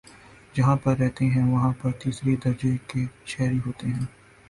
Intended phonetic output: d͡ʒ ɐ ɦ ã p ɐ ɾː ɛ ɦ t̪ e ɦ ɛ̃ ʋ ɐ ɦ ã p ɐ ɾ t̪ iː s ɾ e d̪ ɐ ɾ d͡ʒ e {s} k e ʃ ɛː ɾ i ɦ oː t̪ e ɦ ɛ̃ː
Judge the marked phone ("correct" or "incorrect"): incorrect